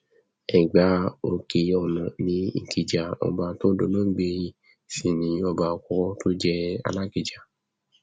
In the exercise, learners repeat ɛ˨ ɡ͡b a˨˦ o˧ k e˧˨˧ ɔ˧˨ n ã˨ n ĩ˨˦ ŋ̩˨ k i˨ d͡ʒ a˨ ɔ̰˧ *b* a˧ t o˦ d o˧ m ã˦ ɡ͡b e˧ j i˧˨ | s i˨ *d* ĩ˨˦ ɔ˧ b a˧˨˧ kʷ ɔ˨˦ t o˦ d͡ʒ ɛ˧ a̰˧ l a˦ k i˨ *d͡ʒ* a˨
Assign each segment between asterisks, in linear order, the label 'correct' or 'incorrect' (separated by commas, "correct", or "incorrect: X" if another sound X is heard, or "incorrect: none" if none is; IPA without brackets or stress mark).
correct, incorrect: n, correct